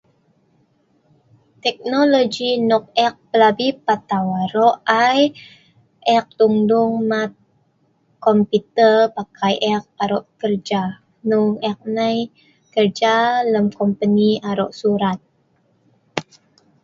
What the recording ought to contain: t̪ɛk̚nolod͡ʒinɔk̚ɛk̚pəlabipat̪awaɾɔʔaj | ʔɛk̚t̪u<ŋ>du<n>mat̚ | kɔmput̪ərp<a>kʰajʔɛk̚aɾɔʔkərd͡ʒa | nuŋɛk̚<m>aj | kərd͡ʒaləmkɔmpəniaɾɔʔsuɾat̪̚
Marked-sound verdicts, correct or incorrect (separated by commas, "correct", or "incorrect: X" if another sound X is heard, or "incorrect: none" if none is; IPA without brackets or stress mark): correct, incorrect: ŋ, correct, incorrect: n